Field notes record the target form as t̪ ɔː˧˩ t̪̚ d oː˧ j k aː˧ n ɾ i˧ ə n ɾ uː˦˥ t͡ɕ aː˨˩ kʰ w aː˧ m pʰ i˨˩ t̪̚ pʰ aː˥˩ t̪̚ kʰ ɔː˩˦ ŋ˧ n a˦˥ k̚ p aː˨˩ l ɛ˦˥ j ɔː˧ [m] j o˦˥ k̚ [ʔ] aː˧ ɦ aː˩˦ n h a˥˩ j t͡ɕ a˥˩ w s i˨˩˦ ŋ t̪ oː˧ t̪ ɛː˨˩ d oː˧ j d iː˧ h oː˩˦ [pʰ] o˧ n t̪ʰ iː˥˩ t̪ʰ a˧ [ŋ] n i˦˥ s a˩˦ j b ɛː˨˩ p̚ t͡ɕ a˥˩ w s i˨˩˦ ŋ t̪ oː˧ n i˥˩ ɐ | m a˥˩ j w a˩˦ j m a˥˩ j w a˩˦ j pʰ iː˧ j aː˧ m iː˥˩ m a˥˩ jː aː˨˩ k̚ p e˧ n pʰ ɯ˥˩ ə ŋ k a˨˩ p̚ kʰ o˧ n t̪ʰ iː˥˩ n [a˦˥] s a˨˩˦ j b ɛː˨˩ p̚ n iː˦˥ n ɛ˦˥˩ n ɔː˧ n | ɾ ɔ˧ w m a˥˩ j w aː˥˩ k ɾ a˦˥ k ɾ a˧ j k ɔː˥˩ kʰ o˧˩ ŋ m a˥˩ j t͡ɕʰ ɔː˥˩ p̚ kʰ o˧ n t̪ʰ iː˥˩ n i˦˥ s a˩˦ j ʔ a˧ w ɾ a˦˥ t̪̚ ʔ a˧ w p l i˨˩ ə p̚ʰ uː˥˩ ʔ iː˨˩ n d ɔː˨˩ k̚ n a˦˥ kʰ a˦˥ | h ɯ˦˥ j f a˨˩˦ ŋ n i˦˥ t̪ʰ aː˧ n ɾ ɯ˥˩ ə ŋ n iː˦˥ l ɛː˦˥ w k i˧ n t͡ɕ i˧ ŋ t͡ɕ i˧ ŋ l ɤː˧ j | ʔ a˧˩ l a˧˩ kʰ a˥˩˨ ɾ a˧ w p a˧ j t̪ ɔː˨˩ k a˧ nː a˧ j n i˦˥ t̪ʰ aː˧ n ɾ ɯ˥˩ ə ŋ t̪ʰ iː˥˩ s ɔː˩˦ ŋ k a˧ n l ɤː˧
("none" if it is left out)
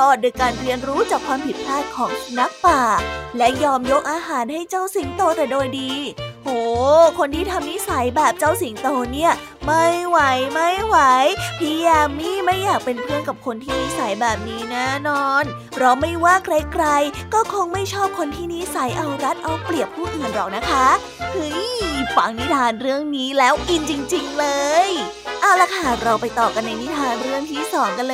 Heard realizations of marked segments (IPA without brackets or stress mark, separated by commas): m, ʔ, kʰ, m, i˦˥